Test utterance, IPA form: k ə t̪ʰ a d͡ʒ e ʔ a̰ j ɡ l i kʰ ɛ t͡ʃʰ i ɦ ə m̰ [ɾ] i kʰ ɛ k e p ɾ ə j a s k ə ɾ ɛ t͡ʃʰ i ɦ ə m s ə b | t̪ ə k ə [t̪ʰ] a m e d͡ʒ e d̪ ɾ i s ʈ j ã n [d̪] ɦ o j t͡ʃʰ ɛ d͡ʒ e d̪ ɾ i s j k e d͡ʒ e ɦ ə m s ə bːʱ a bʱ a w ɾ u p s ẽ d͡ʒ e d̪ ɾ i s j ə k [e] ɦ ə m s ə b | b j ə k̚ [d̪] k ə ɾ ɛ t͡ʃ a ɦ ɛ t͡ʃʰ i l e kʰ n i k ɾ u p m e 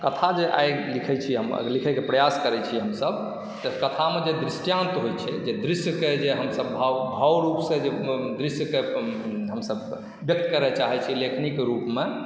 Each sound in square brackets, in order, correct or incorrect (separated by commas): incorrect, correct, incorrect, correct, incorrect